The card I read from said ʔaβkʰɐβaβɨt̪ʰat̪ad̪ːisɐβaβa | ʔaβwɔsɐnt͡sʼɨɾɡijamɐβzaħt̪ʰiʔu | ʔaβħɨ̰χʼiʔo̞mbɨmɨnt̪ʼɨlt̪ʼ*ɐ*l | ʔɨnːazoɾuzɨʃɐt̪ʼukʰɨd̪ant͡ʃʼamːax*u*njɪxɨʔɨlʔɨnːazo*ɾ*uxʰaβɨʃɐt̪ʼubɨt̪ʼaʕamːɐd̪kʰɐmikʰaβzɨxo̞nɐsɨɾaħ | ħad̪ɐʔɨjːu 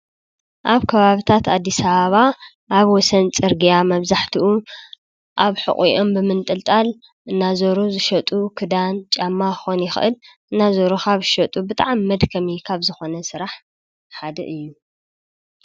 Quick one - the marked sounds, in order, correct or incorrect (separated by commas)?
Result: incorrect, incorrect, correct